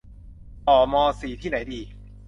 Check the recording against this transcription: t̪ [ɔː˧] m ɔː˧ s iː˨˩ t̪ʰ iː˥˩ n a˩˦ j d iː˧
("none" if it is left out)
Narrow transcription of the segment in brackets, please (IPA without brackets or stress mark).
ɔː˨˩